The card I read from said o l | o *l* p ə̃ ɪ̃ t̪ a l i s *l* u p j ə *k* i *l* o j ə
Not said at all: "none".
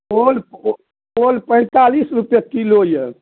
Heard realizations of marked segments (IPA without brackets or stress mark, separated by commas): l, ɾ, k, l